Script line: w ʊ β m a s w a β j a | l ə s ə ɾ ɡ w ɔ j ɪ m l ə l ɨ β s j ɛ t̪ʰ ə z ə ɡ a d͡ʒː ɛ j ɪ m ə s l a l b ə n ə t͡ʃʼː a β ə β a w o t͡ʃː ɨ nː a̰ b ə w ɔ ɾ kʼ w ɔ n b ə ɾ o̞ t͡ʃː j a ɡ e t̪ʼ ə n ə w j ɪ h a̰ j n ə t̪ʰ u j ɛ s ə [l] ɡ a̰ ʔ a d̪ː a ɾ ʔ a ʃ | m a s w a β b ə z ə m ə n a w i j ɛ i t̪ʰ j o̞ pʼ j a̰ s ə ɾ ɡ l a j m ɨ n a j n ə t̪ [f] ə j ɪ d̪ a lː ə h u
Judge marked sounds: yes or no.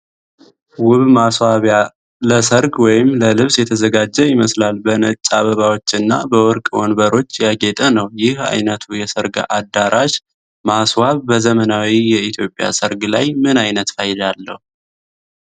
no, yes

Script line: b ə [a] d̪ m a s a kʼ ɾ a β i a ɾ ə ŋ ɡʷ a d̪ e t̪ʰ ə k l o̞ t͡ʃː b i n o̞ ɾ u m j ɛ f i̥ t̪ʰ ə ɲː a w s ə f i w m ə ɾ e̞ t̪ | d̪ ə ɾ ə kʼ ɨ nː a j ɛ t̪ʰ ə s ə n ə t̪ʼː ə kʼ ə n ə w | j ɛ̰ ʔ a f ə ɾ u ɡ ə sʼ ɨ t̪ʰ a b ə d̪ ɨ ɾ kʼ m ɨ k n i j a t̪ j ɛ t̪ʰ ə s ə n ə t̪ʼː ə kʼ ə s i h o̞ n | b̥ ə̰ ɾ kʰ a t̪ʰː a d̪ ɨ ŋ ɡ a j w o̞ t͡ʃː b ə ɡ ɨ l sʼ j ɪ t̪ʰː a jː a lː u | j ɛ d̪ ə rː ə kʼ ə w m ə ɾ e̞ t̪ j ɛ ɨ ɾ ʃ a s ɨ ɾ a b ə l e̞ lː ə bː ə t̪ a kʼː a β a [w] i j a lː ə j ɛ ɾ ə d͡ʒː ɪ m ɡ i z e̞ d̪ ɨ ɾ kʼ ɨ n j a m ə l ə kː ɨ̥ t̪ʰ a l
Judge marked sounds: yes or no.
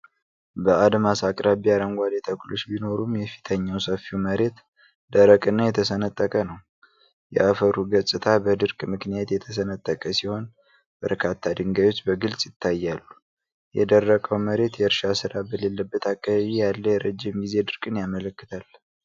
yes, no

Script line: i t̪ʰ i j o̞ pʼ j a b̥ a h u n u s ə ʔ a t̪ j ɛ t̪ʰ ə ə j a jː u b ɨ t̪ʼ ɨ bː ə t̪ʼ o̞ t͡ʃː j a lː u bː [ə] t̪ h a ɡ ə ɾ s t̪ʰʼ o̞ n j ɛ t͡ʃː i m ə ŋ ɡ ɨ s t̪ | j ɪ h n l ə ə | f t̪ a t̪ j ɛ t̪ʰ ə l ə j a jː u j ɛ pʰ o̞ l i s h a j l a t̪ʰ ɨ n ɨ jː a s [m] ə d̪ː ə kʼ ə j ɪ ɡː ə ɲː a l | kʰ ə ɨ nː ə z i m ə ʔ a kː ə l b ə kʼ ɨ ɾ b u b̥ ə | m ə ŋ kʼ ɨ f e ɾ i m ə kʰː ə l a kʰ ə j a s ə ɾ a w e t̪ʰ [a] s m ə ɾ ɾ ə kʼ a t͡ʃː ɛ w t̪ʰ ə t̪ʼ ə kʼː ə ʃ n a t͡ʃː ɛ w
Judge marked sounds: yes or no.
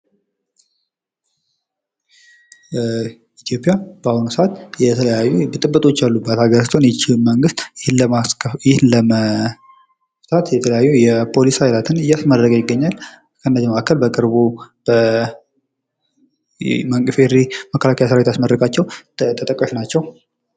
no, yes, yes

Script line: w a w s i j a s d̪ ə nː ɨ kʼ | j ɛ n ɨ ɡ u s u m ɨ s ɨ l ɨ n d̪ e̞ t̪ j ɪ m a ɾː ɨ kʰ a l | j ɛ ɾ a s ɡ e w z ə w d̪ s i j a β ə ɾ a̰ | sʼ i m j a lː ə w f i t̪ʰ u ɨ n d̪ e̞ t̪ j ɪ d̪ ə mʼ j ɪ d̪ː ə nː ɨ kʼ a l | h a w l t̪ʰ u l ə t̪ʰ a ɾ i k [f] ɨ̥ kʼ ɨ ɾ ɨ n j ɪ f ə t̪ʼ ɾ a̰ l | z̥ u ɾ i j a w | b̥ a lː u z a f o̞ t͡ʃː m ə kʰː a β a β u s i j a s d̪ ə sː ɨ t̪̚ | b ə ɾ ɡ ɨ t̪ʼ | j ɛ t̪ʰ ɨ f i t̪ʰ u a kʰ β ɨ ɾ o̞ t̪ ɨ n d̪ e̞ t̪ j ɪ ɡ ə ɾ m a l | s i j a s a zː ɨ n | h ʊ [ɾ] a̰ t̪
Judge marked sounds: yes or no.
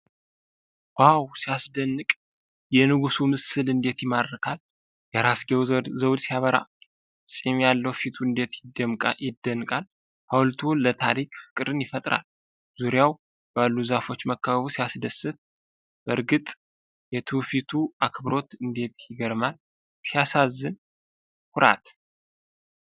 yes, yes

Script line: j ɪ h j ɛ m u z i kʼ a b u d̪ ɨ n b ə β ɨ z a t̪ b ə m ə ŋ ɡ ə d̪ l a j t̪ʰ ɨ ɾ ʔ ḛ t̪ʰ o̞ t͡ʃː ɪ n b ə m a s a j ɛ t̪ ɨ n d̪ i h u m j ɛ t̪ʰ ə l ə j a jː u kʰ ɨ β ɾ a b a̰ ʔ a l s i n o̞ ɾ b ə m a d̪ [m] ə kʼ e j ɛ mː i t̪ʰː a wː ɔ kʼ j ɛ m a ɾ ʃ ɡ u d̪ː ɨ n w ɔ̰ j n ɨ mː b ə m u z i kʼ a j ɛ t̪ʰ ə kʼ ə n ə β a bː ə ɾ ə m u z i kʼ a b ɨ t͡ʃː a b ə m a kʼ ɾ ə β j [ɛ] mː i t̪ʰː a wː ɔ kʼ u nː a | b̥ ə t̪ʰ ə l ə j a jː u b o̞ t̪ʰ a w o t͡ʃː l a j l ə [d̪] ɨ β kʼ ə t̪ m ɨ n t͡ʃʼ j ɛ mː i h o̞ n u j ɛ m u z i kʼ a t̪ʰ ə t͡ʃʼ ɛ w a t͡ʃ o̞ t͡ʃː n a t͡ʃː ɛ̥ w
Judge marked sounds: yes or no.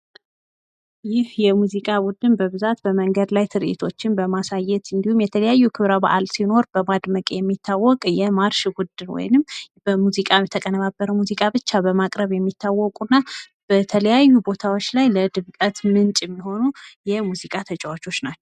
yes, yes, yes

